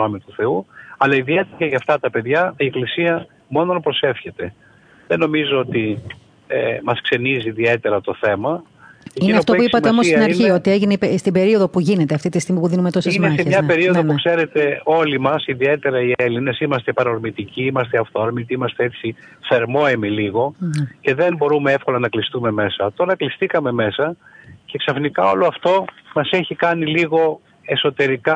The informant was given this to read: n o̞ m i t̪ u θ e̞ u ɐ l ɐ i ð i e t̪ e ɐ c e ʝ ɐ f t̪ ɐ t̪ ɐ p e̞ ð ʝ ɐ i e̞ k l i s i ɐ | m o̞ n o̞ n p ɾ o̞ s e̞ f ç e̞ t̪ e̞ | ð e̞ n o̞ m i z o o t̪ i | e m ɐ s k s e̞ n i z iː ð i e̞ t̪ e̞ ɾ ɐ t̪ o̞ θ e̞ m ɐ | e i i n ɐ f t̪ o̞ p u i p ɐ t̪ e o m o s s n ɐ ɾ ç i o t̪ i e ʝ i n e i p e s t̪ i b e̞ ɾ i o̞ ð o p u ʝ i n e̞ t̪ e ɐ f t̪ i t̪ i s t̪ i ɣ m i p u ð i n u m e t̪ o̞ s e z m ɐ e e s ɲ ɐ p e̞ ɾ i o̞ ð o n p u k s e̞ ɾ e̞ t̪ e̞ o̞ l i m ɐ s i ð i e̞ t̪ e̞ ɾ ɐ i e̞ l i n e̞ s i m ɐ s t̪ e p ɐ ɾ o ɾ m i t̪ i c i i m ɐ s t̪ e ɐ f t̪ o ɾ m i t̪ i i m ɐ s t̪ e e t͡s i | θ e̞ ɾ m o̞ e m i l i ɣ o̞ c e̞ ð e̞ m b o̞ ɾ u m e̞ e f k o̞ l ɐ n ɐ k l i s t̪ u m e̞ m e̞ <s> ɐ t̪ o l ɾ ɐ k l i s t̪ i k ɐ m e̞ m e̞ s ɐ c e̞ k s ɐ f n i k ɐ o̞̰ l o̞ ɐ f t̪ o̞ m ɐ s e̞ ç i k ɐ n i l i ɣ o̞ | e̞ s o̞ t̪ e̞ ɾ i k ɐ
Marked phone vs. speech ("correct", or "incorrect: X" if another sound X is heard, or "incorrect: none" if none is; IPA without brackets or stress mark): correct